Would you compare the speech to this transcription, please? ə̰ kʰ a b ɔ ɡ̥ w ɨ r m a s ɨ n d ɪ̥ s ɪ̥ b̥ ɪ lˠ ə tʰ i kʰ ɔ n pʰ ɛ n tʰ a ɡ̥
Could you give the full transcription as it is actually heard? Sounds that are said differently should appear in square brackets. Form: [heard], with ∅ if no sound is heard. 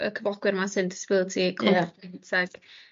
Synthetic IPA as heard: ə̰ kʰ [ə] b ɔ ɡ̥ w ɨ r m a s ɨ n d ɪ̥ s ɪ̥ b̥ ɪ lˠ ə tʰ i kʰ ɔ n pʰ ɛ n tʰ a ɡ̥